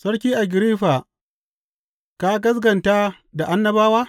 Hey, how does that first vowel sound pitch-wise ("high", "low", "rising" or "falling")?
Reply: high